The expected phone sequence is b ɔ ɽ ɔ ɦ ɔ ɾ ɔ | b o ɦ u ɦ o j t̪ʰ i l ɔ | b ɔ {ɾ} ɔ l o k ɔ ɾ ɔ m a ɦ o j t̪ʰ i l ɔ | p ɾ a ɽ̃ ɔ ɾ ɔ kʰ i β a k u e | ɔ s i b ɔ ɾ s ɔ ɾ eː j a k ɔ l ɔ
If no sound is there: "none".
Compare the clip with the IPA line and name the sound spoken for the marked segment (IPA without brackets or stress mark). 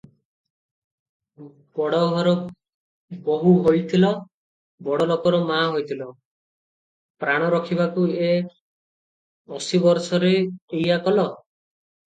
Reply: ɽ